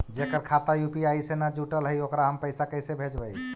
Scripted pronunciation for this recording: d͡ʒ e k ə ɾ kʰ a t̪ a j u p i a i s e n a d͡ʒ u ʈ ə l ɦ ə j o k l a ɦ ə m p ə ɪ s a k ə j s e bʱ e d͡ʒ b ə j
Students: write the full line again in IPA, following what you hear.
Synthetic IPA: d͡ʒ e k ə ɾ kʰ a t̪ a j u p i a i s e n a d͡ʒ u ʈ ə l ɦ ə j o k ɾ a ɦ ə m p ə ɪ s a k ə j s e bʱ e d͡ʒ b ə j